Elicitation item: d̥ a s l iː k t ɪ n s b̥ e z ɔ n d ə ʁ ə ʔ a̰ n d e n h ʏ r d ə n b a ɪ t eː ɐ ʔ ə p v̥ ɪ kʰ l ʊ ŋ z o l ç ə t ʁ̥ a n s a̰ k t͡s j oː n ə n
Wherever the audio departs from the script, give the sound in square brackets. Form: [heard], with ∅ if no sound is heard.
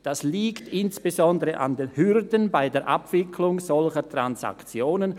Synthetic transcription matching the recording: d̥ a s l iː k t ɪ n s b̥ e z ɔ n d ə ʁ ə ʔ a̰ n d e n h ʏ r d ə n b a ɪ [d] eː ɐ ʔ [a] p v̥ ɪ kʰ l ʊ ŋ z [ɔ] l ç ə t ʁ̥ a n s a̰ k t͡s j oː n ə n